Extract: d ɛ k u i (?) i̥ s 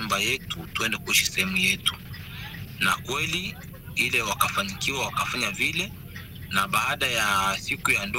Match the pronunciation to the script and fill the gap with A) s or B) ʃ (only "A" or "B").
B